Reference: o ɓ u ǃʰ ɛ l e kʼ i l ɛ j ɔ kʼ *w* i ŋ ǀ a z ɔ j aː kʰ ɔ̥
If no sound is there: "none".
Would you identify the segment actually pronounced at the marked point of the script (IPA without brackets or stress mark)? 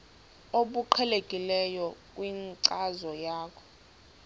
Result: w